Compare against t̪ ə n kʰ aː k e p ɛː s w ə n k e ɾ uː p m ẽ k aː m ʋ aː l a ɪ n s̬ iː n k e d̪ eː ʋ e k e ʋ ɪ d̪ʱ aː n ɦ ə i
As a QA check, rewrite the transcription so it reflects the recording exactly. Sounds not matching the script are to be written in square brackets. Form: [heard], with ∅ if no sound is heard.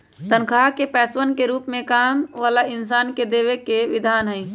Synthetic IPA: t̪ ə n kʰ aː k e p ɛː s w ə n k e ɾ uː p m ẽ k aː m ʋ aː l a ɪ n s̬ [aː] n k e d̪ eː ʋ e k e ʋ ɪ d̪ʱ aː n ɦ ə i